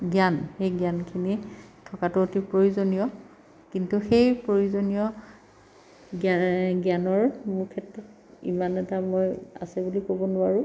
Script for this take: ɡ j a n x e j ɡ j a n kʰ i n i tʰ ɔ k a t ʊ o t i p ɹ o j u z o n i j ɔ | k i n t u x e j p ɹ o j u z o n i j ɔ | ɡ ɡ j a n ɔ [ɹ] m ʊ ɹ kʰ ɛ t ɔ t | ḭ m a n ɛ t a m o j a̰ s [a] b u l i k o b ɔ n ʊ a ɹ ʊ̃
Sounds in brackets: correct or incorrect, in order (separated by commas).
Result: correct, incorrect